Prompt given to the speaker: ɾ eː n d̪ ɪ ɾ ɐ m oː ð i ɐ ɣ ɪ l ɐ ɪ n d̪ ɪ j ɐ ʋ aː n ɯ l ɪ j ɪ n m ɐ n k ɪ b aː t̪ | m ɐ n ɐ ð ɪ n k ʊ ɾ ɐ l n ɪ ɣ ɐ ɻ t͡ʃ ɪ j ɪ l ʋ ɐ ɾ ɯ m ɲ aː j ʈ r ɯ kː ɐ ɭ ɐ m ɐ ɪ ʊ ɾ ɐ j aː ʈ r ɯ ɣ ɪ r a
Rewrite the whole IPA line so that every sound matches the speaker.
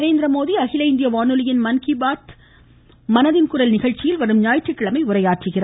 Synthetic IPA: ɾ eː n d̪ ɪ ɾ ɐ m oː ð i ɐ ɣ ɪ l ɐ ɪ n d̪ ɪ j ɐ ʋ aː n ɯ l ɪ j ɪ n m ɐ n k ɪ b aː t̪ | m ɐ n ɐ ð ɪ n k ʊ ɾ ɐ l n ɪ ɣ ɐ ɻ t͡ʃ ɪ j ɪ l ʋ ɐ ɾ ɯ m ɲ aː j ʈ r ɯ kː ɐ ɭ ɐ m ɐ ɪ ʊ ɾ ɐ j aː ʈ r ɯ ɣ ɪ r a

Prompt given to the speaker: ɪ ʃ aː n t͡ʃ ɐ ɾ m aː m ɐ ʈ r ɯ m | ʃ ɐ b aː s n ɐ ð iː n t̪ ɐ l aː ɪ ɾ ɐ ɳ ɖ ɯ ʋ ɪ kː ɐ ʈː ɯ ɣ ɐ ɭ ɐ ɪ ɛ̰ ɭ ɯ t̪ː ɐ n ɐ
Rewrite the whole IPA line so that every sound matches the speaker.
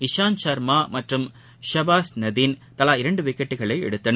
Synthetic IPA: ɪ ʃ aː n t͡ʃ ɐ ɾ m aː m ɐ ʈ r ɯ m | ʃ ɐ b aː s n ɐ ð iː n t̪ ɐ l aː ɪ ɾ ɐ ɳ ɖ ɯ ʋ ɪ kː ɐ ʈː ɯ ɣ ɐ ɭ ɐ ɪ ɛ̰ ɽ ɯ t̪ː ɐ n ɐ

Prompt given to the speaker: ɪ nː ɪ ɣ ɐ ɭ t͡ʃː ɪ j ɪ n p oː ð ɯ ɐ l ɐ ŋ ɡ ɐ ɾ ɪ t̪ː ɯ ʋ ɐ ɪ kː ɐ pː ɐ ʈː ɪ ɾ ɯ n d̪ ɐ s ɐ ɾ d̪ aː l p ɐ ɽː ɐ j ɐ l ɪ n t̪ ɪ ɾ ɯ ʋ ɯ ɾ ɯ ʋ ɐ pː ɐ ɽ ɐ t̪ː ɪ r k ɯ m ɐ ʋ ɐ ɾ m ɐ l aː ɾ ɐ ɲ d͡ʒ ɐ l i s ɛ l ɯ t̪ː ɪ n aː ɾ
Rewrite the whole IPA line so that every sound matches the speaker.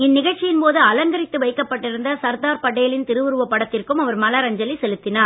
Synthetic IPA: ɪ nː ɪ ɣ ɐ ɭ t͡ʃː ɪ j ɪ n p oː ð ɯ ɐ l ɐ ŋ ɡ ɐ ɾ ɪ t̪ː ɯ ʋ ɐ ɪ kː ɐ pː ɐ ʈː ɪ ɾ ɯ n d̪ ɐ s ɐ ɾ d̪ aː ɾ p ɐ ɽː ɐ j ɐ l ɪ n t̪ ɪ ɾ ɯ ʋ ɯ ɾ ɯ ʋ ɐ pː ɐ ɽ ɐ t̪ː ɪ r k ɯ m ɐ ʋ ɐ ɾ m ɐ l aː ɾ ɐ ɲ d͡ʒ ɐ l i s ɛ l ɯ t̪ː ɪ n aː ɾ

